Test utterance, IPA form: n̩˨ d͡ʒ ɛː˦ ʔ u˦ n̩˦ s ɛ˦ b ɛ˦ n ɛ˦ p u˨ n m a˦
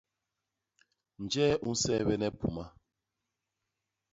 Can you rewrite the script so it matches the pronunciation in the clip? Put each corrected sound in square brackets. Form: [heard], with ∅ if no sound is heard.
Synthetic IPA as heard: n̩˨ d͡ʒ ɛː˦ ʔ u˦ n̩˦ s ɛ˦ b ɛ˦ n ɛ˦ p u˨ [∅] m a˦